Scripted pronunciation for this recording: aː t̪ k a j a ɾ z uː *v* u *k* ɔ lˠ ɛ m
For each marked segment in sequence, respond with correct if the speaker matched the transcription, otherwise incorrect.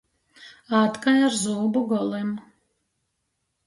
incorrect, incorrect

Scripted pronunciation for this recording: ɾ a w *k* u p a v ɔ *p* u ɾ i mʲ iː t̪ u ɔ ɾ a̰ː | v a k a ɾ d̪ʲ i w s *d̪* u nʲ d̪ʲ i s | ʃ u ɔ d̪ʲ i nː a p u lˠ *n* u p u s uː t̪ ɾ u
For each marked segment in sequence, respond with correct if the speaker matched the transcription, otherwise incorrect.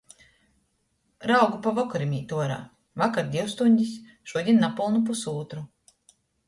incorrect, incorrect, incorrect, correct

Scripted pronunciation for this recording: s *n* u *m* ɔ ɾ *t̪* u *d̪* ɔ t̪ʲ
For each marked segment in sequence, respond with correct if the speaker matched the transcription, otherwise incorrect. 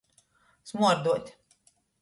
incorrect, incorrect, incorrect, incorrect

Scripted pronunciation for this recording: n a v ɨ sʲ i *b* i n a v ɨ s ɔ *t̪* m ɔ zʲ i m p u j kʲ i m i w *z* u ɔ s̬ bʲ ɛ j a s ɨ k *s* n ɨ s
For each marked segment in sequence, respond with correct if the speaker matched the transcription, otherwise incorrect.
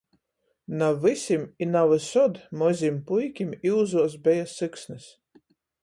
incorrect, incorrect, correct, correct

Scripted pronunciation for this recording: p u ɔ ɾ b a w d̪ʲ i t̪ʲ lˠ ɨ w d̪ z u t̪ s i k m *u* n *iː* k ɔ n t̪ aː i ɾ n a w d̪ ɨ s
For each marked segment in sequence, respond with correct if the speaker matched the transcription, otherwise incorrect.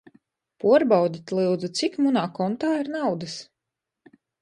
correct, incorrect

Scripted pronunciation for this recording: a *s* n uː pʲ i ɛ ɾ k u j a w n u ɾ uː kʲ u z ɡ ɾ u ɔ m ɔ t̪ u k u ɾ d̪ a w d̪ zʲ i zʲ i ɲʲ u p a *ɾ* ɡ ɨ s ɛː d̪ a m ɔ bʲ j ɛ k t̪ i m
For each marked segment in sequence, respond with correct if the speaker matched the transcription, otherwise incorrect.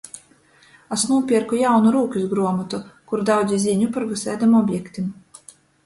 correct, correct

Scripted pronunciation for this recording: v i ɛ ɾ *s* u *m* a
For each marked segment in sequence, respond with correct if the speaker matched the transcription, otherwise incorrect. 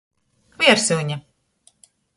correct, incorrect

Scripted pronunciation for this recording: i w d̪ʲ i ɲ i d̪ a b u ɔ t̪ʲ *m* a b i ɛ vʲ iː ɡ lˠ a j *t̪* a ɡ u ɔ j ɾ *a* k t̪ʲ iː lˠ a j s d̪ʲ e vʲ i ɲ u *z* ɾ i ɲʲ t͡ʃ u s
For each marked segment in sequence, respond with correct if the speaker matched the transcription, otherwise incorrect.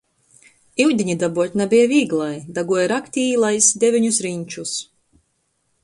incorrect, incorrect, correct, incorrect

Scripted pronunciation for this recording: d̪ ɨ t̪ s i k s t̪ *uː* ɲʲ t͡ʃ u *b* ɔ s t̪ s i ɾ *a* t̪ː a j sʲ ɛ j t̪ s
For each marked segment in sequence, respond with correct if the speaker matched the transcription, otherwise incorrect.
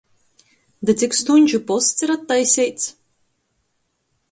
incorrect, incorrect, correct

